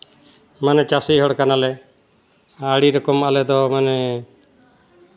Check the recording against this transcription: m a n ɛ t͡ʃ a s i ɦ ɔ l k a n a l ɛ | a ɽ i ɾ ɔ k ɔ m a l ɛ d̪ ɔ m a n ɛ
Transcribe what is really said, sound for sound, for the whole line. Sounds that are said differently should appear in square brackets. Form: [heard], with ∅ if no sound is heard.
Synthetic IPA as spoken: m a n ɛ t͡ʃ a s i ɦ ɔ [ɽ] k a n a l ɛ | a ɽ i ɾ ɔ k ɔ m a l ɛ d̪ ɔ m a n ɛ

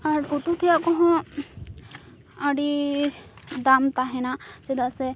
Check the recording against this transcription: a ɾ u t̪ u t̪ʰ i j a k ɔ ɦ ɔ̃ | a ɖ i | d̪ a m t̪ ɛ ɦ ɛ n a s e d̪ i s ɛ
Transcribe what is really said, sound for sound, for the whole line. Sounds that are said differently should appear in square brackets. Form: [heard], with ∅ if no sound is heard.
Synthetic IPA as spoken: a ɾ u t̪ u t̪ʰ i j a k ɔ ɦ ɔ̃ | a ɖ i | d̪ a m t̪ [a] ɦ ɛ n a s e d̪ [a] s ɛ

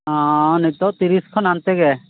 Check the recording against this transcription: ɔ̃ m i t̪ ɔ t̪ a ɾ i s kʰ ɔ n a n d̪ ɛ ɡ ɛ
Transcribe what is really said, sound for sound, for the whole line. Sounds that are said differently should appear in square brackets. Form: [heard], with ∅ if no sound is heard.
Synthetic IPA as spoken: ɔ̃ [n] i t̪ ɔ t̪ [i] ɾ i s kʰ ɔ n a n [t̪] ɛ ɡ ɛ

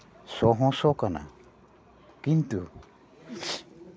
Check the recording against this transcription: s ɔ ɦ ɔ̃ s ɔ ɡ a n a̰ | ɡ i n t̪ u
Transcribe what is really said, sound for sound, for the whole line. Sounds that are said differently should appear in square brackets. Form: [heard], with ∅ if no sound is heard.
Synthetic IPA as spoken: s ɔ ɦ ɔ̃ s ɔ [k] a n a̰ | [k] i n t̪ u

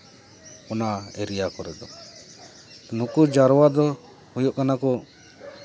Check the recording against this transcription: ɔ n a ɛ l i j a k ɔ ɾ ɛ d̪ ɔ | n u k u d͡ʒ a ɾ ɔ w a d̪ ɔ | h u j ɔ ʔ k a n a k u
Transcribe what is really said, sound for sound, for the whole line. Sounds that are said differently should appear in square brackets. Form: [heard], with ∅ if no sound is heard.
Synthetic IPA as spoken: ɔ n a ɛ [ɾ] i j a k ɔ ɾ ɛ d̪ ɔ | n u k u d͡ʒ a ɾ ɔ w a d̪ ɔ | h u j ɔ ʔ k a n a k [ɔ]

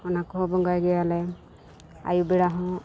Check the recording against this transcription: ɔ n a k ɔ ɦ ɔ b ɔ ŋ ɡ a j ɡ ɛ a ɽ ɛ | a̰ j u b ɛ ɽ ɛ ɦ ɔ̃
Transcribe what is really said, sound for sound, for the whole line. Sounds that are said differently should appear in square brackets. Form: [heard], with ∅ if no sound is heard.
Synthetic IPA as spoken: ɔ n a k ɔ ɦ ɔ b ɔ ŋ ɡ a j ɡ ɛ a [l] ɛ | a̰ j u b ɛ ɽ [a] ɦ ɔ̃

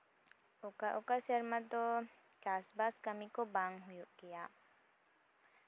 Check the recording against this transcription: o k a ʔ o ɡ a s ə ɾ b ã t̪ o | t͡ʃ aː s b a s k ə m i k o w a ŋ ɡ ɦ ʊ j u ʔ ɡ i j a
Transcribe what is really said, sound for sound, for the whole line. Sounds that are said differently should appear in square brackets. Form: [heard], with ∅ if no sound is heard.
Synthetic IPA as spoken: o k a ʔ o [k] a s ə ɾ [m] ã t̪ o | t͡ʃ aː s b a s k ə m i k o [b] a ŋ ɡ ɦ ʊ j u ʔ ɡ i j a

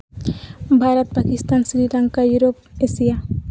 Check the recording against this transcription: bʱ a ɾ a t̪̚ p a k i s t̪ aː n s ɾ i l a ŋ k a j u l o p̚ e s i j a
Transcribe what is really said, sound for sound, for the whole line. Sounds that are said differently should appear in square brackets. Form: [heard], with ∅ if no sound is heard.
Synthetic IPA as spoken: bʱ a ɾ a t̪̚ p a k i s t̪ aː n s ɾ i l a ŋ k a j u [ɾ] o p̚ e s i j a

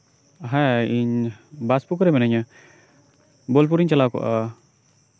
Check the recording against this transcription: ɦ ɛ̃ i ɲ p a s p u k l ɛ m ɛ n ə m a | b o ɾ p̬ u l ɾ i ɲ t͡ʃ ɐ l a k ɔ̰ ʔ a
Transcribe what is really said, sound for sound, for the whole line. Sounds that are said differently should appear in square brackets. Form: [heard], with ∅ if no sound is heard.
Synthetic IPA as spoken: ɦ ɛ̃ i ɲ [b] a s p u k [ɾ] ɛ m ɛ n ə [ɲ] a | b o [l] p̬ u [∅] ɾ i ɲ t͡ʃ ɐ l a k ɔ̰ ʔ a

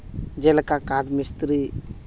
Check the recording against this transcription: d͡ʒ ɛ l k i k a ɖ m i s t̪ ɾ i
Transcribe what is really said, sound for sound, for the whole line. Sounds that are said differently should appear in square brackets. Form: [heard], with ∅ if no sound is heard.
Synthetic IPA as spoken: d͡ʒ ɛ l k [a] k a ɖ m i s t̪ ɾ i

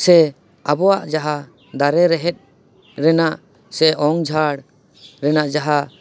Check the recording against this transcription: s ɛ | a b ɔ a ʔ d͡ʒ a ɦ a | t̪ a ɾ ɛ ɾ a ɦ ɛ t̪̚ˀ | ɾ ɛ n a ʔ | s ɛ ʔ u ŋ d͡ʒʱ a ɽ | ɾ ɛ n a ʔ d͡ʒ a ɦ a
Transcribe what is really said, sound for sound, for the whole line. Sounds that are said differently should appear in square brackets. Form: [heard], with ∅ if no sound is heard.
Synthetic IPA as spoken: s ɛ | a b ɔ a ʔ d͡ʒ a ɦ a | [d̪] a ɾ ɛ ɾ [ɛ] ɦ ɛ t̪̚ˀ | ɾ ɛ n a ʔ | s ɛ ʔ [ɔ] ŋ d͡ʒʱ a ɽ | ɾ ɛ n a ʔ d͡ʒ a ɦ a

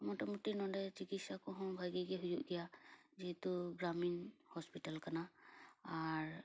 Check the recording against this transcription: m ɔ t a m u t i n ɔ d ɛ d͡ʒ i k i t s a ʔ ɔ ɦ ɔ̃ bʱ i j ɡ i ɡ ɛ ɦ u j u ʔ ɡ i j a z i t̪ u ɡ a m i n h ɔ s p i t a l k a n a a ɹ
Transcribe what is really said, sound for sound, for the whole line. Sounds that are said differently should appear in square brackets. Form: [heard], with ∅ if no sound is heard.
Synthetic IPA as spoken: m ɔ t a m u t i n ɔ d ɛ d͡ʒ i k i t s a [k] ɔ ɦ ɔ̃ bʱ [a] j ɡ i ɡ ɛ ɦ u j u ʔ ɡ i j a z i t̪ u ɡ a m i n h ɔ s p i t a l k a n a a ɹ

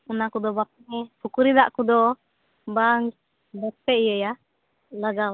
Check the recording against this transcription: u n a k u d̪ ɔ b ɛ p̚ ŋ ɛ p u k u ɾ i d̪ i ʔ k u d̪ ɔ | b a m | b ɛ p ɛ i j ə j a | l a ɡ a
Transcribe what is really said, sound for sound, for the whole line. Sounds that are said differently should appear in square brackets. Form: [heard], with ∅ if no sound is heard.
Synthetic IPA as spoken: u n a k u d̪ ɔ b [a] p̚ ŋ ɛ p u k u ɾ i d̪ [a] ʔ k u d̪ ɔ | b a [ŋ] | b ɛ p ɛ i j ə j a | l a ɡ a

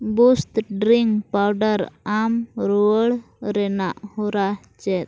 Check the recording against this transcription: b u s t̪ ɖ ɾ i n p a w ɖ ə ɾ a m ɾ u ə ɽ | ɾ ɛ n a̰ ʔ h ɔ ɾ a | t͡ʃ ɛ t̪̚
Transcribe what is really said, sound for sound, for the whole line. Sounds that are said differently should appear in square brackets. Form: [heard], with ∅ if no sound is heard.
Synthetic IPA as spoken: b u s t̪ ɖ ɾ i [ŋ] p a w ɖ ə ɾ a m ɾ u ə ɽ | ɾ ɛ n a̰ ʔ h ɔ ɾ a | t͡ʃ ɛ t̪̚

